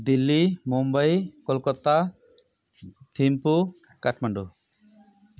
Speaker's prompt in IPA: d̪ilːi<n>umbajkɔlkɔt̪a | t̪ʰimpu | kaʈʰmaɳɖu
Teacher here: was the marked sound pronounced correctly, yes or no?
no